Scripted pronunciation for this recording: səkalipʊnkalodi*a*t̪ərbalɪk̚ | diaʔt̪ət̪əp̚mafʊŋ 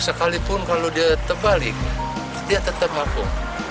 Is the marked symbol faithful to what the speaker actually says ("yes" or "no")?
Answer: yes